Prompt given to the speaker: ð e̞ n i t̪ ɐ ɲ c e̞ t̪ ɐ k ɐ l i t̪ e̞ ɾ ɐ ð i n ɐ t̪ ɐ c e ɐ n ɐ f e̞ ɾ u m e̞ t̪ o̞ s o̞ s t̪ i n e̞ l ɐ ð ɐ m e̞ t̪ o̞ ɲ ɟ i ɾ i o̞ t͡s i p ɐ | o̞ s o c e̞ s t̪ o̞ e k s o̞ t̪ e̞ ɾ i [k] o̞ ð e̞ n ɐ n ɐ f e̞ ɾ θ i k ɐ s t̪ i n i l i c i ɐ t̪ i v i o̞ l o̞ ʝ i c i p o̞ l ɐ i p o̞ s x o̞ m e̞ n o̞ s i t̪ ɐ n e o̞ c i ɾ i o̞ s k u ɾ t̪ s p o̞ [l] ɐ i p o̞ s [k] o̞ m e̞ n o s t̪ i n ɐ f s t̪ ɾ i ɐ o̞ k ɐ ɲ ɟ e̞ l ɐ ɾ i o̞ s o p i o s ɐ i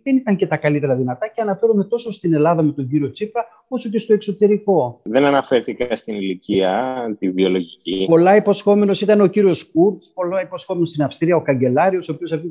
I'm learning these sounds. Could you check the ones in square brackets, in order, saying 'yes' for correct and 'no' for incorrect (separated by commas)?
yes, yes, no